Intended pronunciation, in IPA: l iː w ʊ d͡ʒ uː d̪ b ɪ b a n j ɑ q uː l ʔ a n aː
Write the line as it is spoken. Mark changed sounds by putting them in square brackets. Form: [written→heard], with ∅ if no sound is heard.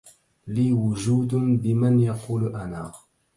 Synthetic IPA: l iː w ʊ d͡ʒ uː d̪ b ɪ [b→m] a n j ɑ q uː l ʔ a n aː

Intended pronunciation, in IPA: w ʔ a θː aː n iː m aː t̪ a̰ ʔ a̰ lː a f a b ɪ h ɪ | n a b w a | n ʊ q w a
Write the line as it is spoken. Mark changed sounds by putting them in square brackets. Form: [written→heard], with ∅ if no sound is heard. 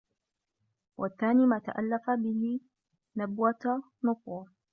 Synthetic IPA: w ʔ a θː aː n iː m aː t̪ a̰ ʔ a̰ lː a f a b ɪ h ɪ | n a b w a | n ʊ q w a

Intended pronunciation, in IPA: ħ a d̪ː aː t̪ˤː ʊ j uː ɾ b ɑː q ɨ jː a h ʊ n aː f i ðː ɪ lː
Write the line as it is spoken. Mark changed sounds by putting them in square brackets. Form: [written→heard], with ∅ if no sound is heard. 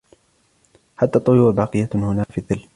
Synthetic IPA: ħ a [d̪ː→t̪ː] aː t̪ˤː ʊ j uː ɾ b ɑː q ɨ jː a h ʊ n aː f i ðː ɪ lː

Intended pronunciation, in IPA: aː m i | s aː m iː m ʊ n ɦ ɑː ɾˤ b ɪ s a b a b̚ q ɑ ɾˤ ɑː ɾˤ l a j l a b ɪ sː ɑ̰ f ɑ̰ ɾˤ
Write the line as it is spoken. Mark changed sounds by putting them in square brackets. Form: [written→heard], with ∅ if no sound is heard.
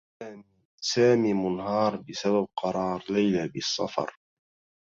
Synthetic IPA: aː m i | s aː m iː m ʊ n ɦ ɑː ɾˤ b ɪ s a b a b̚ q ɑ ɾˤ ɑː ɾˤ l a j l a b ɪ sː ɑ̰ f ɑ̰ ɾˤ

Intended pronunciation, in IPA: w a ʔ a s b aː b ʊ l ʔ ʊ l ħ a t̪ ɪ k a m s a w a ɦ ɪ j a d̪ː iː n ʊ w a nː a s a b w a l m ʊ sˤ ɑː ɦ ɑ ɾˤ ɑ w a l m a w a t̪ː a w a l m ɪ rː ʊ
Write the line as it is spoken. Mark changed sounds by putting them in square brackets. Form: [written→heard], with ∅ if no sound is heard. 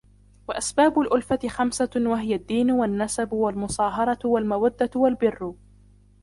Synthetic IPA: w a ʔ a s b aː b ʊ l ʔ ʊ l [ħ→f] a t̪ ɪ [k→x] a m s a w a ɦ ɪ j a d̪ː iː n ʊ w a nː a s a b w a l m ʊ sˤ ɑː ɦ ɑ ɾˤ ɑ w a l m a w a [t̪ː→d̪ː] a w a l [m→b] ɪ rː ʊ

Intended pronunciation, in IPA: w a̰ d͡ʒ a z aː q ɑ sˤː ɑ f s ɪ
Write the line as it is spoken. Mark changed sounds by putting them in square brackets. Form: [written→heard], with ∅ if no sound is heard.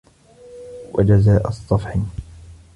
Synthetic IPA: w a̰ d͡ʒ a z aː [q→ʔ] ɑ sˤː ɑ f [s→ħ] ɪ

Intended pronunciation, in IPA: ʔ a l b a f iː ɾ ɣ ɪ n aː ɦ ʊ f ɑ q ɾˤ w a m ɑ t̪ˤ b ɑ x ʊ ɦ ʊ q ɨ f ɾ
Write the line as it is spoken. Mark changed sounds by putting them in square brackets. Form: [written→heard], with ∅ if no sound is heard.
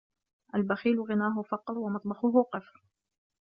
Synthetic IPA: ʔ a l b a [f→x] iː [ɾ→l] ɣ ɪ n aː ɦ ʊ f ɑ q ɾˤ w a m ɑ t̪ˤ b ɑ x ʊ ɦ ʊ q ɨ f ɾ

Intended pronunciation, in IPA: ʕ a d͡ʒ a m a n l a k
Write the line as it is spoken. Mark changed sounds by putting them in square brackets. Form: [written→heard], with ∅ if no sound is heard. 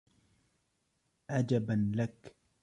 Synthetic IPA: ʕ a d͡ʒ a [m→b] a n l a k

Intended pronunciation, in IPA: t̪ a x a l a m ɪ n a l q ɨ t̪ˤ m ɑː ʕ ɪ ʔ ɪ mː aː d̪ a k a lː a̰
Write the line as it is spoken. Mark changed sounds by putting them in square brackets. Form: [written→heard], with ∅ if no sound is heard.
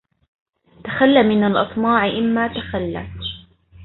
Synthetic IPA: t̪ a x a [l→lː] a m ɪ n a l [q→ʔ] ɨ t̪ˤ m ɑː ʕ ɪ ʔ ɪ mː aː [d̪→t̪] a [k→x] a lː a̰

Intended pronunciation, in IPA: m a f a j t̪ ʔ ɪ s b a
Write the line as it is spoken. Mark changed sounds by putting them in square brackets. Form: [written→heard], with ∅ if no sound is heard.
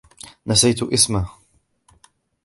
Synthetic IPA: [m→n] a [f→s] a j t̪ ʔ ɪ s [b→m] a

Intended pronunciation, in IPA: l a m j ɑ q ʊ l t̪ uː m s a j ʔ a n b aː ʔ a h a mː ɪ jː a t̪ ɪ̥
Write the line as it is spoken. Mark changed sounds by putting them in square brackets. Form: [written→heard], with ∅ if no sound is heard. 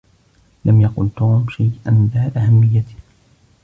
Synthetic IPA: l a m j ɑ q ʊ l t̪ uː m [s→ʃ] a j ʔ a n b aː ʔ a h a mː ɪ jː a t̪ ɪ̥

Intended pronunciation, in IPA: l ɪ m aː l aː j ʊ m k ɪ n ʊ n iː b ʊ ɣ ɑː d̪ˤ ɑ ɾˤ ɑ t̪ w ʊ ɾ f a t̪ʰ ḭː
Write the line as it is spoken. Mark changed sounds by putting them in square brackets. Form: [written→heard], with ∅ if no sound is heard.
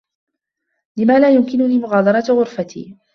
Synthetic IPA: l ɪ m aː l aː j ʊ m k ɪ n ʊ n iː [b→m] ʊ ɣ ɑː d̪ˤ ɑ ɾˤ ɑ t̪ [w→ɣ] ʊ ɾ f a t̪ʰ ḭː

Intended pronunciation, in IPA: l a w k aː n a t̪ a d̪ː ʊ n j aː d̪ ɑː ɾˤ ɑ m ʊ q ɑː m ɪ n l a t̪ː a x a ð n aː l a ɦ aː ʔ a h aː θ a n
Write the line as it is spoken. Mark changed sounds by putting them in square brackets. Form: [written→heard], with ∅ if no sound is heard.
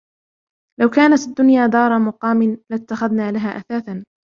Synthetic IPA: l a w k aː n a t̪ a d̪ː ʊ n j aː d̪ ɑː ɾˤ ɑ m ʊ q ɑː m ɪ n l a t̪ː a x a ð n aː l a ɦ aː ʔ a [h→θ] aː θ a n

